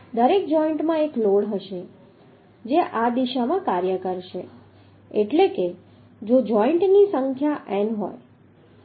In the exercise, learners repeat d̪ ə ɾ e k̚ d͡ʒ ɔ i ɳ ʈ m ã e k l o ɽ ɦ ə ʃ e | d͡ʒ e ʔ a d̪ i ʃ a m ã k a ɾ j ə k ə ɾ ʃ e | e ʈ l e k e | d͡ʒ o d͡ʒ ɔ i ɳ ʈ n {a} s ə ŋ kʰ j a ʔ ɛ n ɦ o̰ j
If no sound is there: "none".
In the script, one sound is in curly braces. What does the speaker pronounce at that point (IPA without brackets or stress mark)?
i